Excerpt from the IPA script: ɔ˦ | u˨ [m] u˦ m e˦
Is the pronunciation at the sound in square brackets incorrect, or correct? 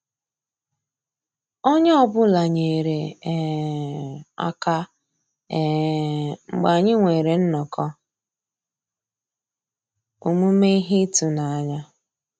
correct